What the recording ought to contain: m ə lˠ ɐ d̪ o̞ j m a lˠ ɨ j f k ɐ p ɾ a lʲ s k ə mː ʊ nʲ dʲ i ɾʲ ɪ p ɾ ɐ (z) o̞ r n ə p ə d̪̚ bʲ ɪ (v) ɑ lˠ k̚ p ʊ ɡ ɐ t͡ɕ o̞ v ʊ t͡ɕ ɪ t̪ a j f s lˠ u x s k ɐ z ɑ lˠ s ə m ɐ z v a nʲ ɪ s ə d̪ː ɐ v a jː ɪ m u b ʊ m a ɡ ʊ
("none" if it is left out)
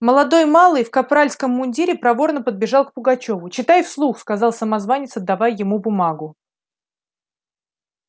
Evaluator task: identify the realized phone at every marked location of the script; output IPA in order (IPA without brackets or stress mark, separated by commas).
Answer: v, ʐ